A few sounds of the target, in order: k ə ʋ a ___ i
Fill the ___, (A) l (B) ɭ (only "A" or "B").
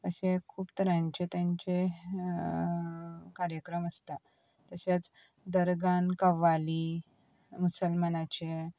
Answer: A